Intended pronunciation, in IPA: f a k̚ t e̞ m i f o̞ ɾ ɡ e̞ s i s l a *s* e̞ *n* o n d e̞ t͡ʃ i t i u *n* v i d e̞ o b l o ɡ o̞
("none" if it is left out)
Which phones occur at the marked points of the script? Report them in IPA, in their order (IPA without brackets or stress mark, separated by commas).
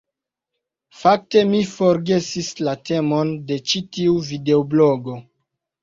t, m, none